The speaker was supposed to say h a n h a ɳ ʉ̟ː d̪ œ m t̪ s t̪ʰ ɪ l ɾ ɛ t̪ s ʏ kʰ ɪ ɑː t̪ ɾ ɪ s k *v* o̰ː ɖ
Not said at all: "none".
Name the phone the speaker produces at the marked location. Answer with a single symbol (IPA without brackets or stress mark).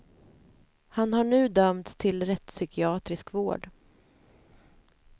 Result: v